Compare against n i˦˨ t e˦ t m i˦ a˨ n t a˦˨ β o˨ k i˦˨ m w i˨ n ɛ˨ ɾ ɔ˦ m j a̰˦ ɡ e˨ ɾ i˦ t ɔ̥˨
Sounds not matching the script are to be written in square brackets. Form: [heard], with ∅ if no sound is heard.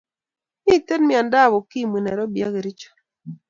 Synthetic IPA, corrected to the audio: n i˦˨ t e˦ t m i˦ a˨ n [d] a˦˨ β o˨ k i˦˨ m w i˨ n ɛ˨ ɾ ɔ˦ [b] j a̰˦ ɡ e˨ ɾ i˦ [t͡ʃ] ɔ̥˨